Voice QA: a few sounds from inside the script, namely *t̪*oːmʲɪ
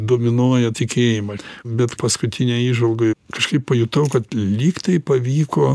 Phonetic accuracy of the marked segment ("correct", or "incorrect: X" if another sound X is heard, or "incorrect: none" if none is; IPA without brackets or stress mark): incorrect: d̪